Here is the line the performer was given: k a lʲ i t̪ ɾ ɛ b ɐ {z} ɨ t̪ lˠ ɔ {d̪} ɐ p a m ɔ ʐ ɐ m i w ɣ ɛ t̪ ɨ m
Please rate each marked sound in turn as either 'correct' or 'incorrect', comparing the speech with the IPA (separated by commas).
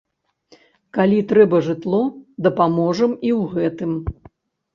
incorrect, correct